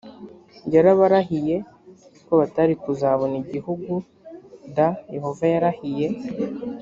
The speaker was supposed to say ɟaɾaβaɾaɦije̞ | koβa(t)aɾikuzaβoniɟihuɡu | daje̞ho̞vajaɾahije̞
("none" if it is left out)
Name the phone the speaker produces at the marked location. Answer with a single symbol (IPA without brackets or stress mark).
t